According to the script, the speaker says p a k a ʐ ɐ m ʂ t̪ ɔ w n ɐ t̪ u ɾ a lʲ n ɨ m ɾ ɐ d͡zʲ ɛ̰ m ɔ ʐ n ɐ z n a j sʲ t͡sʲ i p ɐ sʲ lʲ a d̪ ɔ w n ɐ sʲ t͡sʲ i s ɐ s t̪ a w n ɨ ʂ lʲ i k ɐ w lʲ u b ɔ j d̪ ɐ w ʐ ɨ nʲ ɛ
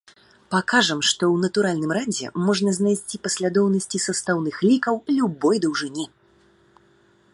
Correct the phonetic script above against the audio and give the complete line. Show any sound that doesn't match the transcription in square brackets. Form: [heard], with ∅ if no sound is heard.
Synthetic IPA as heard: p a k a ʐ ɐ m ʂ t̪ ɔ w n ɐ t̪ u ɾ a lʲ n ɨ m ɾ [a] d͡zʲ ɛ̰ m ɔ ʐ n ɐ z n a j sʲ t͡sʲ i p ɐ sʲ lʲ a d̪ ɔ w n ɐ sʲ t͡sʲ i s ɐ s t̪ a w n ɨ [x] lʲ i k ɐ w lʲ u b ɔ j d̪ ɐ w ʐ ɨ nʲ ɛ